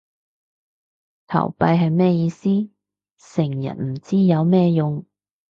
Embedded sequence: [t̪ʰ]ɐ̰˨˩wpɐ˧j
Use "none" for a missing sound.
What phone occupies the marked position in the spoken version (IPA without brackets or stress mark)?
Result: t̪ʰ